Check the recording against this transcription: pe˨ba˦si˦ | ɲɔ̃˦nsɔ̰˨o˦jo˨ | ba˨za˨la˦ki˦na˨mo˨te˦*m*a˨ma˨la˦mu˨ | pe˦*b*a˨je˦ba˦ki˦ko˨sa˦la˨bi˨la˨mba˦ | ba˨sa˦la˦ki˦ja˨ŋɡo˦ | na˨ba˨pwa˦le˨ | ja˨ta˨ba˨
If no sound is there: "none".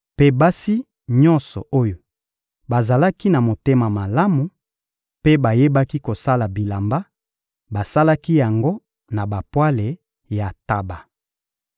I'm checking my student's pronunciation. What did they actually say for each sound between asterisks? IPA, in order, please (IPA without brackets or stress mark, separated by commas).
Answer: m, b